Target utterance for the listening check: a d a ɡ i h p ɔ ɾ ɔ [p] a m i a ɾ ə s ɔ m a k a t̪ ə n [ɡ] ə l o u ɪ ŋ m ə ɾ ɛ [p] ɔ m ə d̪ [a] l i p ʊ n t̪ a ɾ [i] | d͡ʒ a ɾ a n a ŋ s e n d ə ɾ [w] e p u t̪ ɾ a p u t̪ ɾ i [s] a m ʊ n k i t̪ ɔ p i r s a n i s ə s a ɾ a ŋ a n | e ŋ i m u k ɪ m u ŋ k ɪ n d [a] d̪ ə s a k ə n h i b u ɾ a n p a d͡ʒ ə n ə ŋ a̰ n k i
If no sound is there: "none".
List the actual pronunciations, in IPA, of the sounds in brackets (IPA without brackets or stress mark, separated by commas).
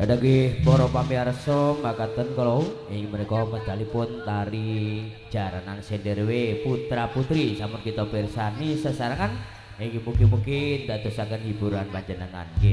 p, k, k, a, i, w, s, a